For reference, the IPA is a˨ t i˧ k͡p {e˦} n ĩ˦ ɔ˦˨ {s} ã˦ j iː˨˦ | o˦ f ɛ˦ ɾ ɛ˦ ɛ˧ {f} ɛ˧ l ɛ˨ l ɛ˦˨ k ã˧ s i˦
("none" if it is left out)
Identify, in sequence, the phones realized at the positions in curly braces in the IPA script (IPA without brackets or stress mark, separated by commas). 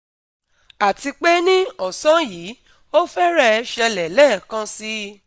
e˦, s, ʃ